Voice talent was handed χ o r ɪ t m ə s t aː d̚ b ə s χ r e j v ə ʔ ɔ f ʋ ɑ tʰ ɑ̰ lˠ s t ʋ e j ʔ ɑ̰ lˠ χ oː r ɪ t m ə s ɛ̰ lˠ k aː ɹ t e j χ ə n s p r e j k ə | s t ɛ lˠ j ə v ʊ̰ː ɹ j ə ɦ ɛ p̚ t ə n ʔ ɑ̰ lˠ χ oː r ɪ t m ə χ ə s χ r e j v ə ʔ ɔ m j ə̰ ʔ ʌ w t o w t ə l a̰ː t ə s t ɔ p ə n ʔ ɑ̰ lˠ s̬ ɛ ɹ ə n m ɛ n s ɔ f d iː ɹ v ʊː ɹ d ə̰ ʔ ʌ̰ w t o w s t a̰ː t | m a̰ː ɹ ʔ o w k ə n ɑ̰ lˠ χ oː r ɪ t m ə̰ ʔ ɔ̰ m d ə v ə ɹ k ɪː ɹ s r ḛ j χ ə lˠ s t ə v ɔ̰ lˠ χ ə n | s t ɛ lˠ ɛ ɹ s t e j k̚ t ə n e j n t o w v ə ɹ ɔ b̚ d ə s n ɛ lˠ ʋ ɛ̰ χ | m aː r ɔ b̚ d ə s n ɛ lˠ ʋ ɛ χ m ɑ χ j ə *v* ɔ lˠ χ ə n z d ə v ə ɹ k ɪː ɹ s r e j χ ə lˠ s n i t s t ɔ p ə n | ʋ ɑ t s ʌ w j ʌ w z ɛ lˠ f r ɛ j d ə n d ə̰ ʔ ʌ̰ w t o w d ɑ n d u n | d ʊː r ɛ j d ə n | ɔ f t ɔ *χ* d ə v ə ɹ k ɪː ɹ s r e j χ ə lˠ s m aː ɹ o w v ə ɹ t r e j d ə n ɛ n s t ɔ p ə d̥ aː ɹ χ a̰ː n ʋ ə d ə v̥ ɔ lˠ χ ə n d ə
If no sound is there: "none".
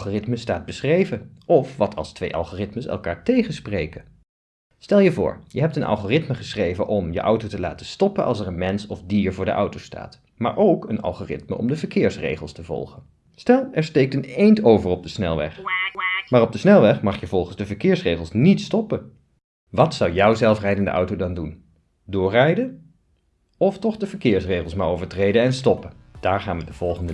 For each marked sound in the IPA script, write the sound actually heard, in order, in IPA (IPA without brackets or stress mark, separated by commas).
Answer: v, χ